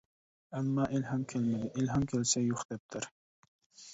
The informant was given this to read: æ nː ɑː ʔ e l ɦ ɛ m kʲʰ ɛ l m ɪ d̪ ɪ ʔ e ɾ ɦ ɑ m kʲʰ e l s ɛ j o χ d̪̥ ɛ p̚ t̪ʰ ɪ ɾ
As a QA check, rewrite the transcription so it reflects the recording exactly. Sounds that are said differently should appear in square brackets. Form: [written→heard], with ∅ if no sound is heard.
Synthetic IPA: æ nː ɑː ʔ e l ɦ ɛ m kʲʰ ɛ l m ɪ d̪ ɪ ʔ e [ɾ→l] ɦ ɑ m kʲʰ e l s ɛ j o χ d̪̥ ɛ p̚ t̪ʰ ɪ ɾ